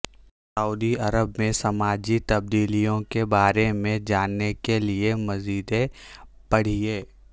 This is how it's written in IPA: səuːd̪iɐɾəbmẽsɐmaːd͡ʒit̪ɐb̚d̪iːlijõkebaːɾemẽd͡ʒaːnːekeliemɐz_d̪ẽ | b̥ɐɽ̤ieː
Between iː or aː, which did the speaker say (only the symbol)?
iː